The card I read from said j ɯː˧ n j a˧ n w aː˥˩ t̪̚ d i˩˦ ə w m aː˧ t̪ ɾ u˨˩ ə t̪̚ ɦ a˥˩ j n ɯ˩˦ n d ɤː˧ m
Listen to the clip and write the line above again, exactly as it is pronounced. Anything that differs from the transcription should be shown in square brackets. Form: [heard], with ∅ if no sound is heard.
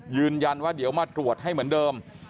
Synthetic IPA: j ɯː˧ n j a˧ n w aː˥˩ [∅] d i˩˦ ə w m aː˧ t̪ ɾ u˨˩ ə t̪̚ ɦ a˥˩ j [m] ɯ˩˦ n d ɤː˧ m